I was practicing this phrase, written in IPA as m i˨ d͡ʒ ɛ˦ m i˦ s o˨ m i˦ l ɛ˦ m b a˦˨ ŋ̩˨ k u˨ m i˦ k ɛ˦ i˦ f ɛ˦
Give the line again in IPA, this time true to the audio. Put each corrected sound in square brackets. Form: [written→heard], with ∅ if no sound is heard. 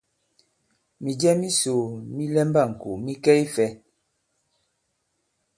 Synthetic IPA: m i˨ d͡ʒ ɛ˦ m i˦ s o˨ m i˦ l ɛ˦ m b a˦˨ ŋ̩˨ k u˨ m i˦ k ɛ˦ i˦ f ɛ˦